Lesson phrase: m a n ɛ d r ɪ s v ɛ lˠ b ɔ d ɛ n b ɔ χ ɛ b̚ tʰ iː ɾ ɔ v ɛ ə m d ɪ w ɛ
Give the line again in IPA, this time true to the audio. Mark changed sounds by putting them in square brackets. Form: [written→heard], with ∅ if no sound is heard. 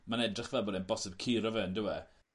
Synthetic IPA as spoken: m a n ɛ d r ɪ [s→χ] v ɛ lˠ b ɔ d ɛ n b ɔ [χ→s] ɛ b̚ [tʰ→kʰ] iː ɾ ɔ v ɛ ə [m→n] d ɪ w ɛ